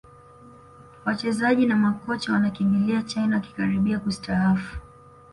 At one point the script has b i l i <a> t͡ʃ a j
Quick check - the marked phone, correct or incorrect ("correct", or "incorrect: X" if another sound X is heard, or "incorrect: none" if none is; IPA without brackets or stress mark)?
correct